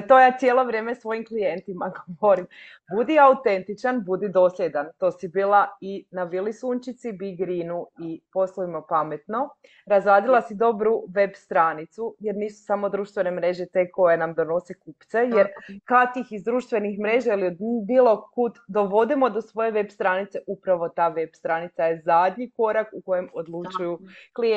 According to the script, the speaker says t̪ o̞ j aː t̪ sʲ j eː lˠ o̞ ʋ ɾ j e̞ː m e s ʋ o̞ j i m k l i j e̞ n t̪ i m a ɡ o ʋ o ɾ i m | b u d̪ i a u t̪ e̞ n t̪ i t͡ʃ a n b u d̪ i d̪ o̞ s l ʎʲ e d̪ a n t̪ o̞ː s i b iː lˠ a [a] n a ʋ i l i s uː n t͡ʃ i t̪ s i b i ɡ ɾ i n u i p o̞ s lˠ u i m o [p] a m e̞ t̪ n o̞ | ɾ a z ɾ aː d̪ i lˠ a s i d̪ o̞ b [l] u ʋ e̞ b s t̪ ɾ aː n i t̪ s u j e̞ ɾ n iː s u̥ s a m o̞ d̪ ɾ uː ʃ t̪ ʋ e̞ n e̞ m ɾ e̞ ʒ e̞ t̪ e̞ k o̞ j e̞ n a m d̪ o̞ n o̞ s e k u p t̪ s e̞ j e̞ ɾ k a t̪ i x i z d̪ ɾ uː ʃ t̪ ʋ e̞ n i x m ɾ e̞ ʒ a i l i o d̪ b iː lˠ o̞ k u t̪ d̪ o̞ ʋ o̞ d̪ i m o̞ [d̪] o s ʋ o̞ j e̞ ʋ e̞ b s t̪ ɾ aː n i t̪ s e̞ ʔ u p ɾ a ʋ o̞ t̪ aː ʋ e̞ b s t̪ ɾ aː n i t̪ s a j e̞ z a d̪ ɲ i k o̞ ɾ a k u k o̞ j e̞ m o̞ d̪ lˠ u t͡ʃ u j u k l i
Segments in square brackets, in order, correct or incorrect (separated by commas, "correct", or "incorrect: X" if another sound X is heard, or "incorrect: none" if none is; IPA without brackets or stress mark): incorrect: i, correct, incorrect: ɾ, correct